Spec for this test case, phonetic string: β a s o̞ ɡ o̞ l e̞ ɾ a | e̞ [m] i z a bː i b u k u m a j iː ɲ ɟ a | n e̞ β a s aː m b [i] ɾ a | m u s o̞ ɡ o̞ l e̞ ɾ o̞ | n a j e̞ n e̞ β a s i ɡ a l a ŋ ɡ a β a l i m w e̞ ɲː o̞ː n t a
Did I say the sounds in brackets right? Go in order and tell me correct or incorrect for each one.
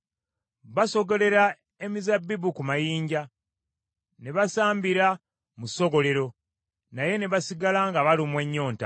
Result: correct, correct

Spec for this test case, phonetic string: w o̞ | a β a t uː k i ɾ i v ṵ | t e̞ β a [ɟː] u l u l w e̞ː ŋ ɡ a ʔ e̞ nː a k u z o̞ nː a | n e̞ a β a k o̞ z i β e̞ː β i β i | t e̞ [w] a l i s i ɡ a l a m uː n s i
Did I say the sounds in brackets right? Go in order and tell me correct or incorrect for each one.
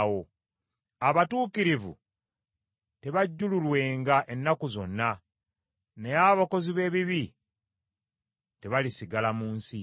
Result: correct, incorrect: β

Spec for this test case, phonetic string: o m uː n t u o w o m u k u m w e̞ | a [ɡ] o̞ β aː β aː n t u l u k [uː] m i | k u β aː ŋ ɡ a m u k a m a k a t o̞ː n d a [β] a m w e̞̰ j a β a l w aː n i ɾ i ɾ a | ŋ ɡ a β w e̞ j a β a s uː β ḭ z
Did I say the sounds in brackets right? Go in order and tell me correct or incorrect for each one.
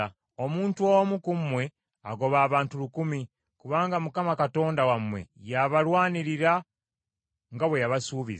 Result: correct, incorrect: u, incorrect: w

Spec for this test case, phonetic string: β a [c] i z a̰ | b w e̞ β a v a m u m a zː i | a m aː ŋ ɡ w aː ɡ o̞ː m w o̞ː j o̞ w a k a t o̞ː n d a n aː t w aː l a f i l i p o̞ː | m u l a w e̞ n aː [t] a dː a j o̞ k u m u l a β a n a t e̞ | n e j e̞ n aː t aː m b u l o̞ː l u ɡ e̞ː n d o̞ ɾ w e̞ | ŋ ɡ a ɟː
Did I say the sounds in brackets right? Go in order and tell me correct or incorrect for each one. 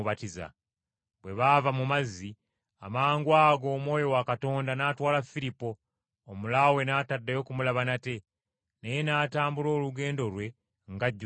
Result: incorrect: t, correct

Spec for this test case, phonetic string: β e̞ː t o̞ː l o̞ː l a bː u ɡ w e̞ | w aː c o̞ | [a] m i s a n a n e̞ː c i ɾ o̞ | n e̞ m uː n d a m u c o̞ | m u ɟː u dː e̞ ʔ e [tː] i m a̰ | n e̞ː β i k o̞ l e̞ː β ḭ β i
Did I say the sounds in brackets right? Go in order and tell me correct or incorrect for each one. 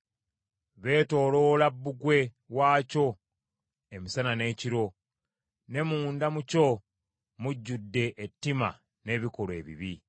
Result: incorrect: e, correct

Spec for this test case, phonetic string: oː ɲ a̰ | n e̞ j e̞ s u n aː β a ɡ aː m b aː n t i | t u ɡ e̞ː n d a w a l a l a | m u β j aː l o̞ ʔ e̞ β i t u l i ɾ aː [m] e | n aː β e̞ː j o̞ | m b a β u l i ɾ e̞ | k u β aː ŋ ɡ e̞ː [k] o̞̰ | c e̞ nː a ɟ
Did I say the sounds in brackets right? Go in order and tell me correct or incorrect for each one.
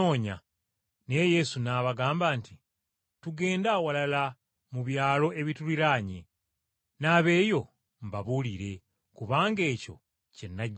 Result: incorrect: ɲ, incorrect: c

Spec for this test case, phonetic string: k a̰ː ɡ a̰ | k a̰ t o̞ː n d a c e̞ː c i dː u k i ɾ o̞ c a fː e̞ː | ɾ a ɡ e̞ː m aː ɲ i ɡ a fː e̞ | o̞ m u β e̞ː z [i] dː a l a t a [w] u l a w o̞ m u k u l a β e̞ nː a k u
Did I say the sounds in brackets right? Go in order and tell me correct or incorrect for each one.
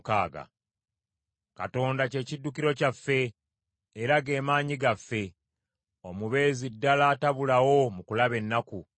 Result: correct, incorrect: β

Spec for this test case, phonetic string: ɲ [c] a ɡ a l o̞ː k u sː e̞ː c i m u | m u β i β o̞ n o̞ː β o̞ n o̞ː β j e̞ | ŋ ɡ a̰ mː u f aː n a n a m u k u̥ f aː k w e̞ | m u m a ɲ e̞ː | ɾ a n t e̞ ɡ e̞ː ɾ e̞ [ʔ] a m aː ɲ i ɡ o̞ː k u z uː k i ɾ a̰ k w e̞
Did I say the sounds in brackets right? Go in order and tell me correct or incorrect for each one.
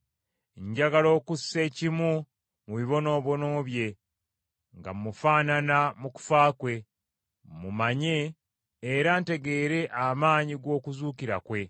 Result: incorrect: ɟ, correct

